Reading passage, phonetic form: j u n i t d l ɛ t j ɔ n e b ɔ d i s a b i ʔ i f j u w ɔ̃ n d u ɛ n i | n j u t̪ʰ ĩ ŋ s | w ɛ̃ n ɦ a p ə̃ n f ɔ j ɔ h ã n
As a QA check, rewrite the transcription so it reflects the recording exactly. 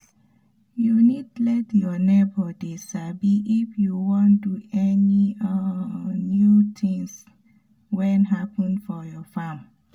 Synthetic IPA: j u n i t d l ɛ t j ɔ n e b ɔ d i s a b i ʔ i f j u w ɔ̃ n d u ɛ n i | n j u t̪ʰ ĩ ŋ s | w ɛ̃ n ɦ a p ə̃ n f ɔ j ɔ f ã m